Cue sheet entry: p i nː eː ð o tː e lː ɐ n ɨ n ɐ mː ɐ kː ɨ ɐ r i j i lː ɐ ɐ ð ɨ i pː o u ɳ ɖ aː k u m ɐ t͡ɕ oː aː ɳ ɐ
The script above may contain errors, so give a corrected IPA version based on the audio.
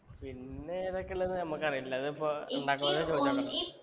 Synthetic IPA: p i nː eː ð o kː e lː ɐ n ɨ n ɐ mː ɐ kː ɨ ɐ r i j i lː ɐ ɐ ð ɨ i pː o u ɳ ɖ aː k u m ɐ t͡ɕ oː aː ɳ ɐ